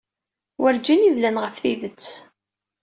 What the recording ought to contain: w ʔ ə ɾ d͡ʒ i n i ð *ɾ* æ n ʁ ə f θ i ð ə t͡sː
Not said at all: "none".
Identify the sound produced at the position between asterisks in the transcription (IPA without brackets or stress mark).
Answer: l